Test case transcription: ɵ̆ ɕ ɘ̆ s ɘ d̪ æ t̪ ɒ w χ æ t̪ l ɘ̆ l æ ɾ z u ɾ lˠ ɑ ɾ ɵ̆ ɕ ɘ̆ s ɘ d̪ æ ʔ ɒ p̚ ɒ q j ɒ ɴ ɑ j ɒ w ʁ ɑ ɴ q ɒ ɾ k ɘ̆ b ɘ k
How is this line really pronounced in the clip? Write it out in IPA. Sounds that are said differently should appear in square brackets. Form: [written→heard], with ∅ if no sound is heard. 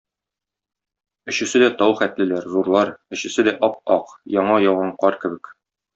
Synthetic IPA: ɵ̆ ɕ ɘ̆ s ɘ d̪ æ t̪ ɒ w χ æ t̪ l ɘ̆ l æ ɾ z u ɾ lˠ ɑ ɾ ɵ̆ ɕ ɘ̆ s ɘ d̪ æ ʔ ɒ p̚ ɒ q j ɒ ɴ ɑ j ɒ w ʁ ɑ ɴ q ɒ ɾ k ɘ̆ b ɘ k